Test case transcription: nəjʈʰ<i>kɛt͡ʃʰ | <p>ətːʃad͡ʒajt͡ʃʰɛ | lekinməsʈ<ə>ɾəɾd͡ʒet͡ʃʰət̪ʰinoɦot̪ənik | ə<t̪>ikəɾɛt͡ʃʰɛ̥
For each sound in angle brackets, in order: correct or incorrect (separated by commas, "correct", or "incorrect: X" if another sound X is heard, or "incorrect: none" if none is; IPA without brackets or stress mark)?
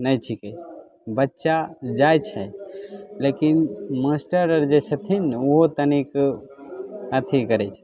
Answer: correct, incorrect: b, correct, incorrect: t̪ʰ